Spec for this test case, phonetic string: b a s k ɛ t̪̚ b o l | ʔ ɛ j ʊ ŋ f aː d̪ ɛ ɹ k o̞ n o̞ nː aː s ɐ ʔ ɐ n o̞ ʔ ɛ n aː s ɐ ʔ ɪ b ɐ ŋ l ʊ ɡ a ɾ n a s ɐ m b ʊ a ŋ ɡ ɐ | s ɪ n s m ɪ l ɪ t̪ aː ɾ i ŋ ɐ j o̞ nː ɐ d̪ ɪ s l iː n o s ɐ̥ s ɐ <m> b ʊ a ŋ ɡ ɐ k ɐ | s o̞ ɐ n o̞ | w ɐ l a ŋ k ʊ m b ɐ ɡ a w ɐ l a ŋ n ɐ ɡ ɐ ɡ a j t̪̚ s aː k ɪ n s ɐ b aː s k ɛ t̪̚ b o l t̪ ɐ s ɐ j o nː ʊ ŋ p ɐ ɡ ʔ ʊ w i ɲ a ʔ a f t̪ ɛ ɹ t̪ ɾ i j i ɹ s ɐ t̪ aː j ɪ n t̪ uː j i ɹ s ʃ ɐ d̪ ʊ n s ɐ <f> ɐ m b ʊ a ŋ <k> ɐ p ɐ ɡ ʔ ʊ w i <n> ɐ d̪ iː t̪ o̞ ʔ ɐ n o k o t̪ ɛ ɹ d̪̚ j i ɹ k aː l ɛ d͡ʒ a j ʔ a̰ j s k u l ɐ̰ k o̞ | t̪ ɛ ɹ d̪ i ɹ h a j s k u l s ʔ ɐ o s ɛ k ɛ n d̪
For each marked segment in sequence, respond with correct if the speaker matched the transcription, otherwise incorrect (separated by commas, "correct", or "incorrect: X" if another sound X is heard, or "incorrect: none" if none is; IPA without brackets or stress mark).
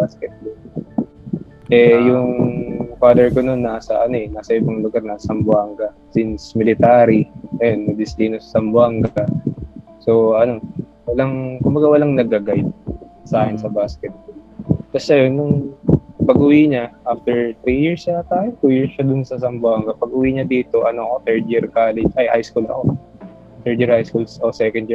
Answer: correct, incorrect: s, incorrect: ɡ, incorrect: ɲ